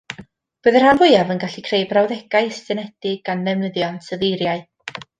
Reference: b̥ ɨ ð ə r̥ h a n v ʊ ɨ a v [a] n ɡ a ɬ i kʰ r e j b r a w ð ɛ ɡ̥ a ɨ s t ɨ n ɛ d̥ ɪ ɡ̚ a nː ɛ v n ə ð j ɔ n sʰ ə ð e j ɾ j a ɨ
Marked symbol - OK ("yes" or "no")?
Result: no